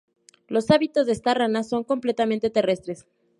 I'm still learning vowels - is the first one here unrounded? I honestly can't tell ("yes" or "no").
no